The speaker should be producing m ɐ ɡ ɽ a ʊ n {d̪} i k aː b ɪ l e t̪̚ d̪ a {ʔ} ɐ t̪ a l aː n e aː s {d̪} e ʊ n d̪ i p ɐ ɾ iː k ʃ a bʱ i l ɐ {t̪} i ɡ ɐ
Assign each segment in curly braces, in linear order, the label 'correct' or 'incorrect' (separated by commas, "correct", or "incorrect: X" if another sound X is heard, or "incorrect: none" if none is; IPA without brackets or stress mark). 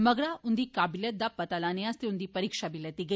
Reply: correct, incorrect: p, incorrect: t̪, correct